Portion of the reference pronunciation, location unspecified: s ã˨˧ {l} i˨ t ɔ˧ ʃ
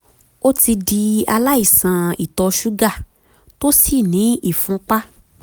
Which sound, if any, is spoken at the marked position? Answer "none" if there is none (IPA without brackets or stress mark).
none